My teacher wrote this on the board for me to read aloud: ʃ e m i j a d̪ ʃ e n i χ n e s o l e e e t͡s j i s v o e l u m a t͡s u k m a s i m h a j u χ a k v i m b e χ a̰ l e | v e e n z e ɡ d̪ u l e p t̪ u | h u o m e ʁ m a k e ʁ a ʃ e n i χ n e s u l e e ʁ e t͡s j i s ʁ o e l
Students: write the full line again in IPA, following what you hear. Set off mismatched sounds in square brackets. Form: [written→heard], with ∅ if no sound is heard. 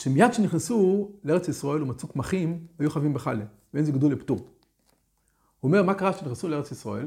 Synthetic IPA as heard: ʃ e m i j a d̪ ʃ e n i χ n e s [o→u] l e e e t͡s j i s [v→ʁ] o e l u m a t͡s u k m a [s→χ] i m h a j u χ a [k→∅] v i m b e χ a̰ l e | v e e n z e ɡ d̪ u l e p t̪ u | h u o m e ʁ m a k [e→a] ʁ a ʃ e n i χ n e s u l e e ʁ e t͡s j i s ʁ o e l